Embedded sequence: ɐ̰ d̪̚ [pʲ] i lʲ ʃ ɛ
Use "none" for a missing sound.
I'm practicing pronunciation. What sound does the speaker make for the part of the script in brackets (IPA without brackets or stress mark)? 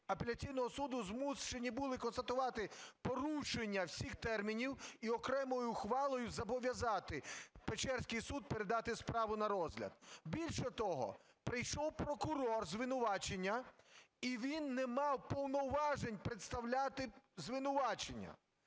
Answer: bʲ